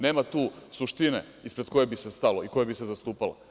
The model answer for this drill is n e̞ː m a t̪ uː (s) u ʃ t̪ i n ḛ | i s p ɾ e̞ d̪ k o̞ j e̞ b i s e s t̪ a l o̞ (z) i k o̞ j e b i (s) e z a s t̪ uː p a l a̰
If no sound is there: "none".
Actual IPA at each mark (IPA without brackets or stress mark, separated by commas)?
s, none, s